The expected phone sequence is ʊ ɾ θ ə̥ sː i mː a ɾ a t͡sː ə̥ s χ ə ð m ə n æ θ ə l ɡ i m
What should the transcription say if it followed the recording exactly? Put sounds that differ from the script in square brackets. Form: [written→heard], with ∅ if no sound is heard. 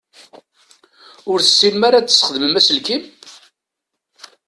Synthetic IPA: ʊ ɾ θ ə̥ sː i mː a ɾ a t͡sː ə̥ s χ ə ð m ə [n→m] æ [θ→s] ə l [ɡ→k] i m

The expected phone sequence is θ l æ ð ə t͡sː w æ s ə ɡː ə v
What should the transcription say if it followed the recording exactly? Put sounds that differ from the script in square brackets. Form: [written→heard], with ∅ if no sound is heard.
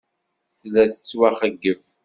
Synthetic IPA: θ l æ [ð→θ] ə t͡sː w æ [s→χ] ə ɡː ə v

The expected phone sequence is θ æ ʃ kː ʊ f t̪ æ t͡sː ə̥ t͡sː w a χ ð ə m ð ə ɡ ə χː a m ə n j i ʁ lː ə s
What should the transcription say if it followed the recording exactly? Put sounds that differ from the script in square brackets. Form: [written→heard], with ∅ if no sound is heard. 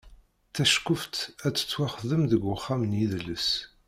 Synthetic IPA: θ æ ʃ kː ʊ f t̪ æ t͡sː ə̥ t͡sː w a χ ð ə m ð ə ɡ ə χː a m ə n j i [ʁ→ð] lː ə s

